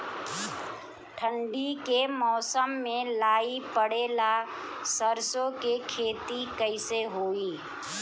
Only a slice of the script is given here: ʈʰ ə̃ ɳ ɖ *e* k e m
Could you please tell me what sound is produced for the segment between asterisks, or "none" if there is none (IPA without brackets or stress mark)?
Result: i